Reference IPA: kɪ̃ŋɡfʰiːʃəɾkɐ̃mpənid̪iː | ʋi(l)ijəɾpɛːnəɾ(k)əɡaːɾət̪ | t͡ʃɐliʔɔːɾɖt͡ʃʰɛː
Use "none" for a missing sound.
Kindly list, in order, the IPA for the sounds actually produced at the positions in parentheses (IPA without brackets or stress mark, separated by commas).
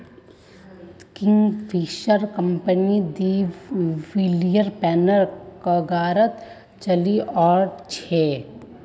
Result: l, k